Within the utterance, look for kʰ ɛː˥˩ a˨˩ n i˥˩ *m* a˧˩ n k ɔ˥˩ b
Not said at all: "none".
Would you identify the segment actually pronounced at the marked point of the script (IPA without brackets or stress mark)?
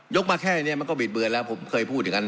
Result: m